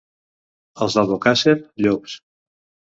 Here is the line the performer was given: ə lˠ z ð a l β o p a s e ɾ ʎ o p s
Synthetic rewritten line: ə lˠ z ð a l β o k a s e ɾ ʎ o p s